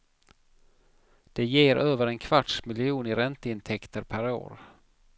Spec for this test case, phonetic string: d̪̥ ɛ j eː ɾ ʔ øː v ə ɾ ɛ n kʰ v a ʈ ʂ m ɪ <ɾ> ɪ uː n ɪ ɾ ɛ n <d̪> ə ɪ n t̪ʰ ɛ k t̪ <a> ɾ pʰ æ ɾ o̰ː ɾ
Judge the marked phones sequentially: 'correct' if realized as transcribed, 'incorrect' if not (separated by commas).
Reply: incorrect, incorrect, incorrect